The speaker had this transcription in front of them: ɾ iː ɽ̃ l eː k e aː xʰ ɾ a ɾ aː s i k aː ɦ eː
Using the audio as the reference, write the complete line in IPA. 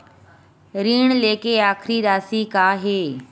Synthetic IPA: ɾ iː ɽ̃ l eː k e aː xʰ ɾ i ɾ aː s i k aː ɦ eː